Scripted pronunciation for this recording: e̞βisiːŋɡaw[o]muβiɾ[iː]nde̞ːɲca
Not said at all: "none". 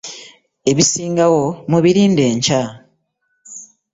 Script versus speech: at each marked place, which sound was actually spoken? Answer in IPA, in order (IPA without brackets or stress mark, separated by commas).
o, iː